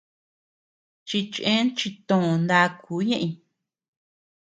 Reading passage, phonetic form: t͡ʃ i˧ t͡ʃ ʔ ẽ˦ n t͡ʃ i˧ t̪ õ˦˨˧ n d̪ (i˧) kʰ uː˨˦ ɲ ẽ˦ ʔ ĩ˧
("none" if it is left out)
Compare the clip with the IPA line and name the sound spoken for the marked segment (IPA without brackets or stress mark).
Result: a˧